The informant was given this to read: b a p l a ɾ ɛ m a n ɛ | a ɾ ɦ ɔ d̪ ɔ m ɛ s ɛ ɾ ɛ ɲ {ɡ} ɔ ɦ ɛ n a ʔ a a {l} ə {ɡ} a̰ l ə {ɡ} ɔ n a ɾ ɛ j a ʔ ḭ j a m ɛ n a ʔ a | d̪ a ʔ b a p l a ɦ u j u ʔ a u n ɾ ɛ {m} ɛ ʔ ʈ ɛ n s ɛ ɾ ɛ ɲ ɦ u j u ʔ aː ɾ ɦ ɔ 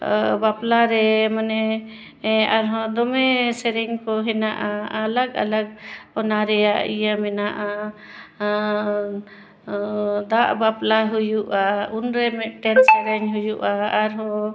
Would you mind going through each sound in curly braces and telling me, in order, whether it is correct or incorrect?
incorrect: k, correct, correct, correct, correct

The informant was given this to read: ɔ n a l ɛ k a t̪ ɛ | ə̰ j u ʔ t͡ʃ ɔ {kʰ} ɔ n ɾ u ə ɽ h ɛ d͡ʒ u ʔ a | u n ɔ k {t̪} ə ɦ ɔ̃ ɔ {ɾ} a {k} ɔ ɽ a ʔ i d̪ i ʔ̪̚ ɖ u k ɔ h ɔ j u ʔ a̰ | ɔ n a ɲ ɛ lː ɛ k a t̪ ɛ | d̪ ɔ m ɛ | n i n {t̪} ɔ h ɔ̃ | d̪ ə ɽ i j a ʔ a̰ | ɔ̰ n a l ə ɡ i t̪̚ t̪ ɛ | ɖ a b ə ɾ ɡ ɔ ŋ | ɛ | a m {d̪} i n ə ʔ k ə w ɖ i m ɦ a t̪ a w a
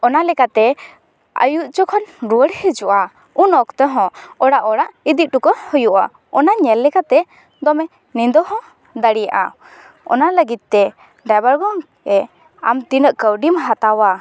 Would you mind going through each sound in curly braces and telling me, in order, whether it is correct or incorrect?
correct, correct, incorrect: ɽ, incorrect: ʔ, incorrect: d̪, incorrect: t̪

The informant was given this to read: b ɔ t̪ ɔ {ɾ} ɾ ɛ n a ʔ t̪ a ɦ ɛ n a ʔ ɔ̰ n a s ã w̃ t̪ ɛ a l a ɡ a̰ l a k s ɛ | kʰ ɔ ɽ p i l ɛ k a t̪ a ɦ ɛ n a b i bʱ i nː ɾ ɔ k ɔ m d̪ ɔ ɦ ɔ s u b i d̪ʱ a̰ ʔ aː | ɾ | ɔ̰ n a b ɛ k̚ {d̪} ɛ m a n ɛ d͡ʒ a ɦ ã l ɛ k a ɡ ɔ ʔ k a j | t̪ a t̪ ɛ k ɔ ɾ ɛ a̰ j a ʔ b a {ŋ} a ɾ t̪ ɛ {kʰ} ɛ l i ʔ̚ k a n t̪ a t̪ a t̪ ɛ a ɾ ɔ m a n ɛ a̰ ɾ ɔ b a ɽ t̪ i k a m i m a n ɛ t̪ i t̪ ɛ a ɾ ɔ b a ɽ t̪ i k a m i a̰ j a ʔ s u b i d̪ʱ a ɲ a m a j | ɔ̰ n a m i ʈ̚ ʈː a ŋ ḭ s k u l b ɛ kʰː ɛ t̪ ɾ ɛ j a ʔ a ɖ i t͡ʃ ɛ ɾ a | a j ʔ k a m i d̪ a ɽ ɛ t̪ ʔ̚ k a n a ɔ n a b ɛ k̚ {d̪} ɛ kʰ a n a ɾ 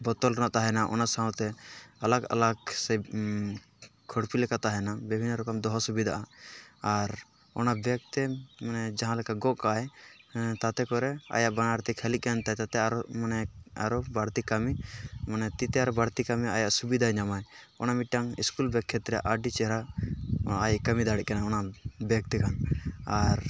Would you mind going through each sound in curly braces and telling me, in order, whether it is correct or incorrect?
incorrect: l, incorrect: t̪, incorrect: n, correct, incorrect: t̪

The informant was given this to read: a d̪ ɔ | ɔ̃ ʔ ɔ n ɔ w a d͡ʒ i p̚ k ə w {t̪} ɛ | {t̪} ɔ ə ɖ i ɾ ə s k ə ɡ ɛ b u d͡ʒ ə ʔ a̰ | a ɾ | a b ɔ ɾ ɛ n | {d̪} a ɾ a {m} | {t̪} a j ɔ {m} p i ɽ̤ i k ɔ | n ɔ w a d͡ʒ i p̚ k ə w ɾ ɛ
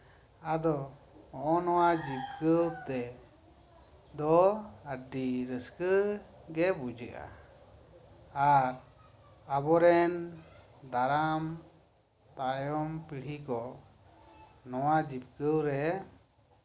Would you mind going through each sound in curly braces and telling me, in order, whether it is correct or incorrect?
correct, incorrect: d̪, correct, correct, correct, correct

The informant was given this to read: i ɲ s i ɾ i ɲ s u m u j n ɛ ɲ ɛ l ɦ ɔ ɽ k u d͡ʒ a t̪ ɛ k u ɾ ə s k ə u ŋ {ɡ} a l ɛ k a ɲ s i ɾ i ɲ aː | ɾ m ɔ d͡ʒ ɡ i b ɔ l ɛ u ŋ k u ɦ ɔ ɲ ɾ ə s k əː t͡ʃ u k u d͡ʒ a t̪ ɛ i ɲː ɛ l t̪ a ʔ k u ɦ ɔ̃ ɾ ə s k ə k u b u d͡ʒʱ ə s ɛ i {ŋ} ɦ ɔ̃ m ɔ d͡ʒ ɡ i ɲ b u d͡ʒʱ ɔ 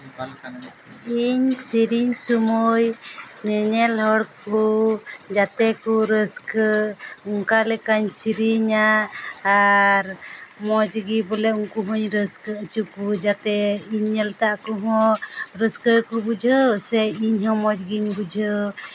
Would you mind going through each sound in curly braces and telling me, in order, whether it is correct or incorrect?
incorrect: k, incorrect: ɲ

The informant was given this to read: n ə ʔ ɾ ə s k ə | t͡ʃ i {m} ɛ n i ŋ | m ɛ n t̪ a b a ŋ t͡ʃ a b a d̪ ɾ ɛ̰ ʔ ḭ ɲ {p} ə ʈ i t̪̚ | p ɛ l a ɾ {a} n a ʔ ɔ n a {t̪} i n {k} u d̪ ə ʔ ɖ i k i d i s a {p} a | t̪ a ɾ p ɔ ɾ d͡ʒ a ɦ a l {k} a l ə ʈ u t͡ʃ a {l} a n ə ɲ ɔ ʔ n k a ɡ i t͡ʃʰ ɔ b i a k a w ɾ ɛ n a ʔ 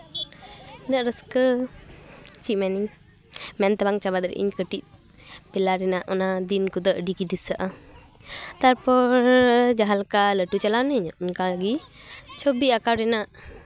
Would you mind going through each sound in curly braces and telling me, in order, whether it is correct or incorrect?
correct, incorrect: k, incorrect: ɛ, incorrect: d̪, correct, incorrect: ʔ, correct, correct

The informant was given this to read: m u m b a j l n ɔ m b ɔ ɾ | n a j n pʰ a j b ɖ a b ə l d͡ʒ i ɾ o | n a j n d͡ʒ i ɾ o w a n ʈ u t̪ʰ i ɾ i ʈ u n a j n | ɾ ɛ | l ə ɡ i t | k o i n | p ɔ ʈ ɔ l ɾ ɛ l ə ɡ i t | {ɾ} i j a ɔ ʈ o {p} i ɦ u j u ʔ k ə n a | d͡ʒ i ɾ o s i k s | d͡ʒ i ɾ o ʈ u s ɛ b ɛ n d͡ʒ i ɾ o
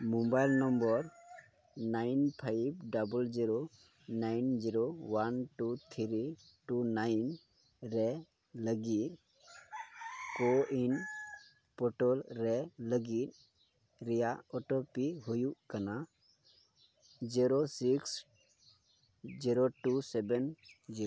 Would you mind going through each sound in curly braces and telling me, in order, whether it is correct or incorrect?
correct, correct

